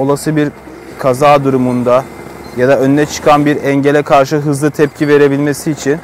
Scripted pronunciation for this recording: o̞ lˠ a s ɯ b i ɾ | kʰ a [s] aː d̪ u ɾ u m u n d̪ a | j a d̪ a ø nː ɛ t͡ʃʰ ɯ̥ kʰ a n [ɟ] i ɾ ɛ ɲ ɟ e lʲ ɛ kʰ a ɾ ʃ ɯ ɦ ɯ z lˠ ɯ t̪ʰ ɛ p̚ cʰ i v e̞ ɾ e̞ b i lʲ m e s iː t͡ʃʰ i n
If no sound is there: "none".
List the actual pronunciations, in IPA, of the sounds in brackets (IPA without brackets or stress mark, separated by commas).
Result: z, b